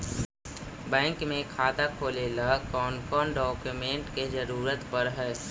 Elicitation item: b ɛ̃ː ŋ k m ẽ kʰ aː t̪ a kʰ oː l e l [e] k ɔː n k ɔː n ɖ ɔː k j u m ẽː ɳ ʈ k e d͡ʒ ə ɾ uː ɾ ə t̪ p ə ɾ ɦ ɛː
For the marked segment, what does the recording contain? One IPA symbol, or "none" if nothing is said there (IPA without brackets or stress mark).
a